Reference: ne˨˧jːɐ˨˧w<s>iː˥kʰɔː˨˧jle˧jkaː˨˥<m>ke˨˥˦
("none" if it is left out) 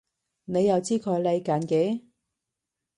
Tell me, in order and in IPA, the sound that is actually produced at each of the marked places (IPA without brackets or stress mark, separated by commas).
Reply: t͡s, n